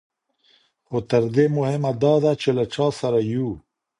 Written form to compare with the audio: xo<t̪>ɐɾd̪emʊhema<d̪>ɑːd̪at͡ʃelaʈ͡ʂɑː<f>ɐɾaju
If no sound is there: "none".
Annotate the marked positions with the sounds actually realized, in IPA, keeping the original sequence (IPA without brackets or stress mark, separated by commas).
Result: t̪, d̪, s